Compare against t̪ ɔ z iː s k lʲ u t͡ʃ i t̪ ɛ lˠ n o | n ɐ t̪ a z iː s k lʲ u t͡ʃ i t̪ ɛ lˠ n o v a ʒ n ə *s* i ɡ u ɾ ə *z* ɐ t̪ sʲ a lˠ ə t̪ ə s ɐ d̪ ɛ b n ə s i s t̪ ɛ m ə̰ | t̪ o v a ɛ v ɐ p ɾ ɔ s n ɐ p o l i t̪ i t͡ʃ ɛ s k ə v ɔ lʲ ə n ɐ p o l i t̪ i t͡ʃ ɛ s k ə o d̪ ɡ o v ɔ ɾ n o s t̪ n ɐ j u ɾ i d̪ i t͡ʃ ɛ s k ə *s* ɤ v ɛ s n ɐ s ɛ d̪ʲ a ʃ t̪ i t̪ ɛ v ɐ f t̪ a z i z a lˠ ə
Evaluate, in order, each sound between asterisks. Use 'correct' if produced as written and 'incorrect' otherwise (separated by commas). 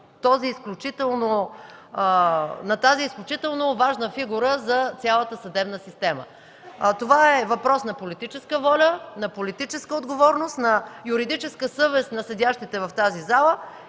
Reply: incorrect, correct, correct